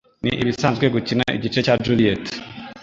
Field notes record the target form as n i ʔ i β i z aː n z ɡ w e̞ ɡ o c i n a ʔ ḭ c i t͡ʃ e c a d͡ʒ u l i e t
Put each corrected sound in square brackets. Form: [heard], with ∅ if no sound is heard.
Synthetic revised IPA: n i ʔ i β i [s] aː n z ɡ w e̞ ɡ [u] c i n a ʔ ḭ [ɟ] i t͡ʃ e c a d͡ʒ u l i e t